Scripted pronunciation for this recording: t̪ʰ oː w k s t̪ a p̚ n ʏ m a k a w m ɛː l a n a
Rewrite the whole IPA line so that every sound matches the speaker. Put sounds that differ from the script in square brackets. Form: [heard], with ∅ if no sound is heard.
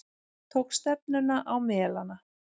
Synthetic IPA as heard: t̪ʰ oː w k s t̪ [ɛ] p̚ n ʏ [n] a [ʔ] a w m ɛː l a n a